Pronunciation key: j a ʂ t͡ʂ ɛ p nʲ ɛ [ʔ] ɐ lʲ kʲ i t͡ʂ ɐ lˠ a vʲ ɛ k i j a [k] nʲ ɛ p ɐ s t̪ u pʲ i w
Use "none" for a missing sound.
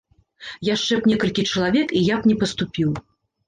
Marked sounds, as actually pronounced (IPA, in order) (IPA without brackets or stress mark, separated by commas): k, p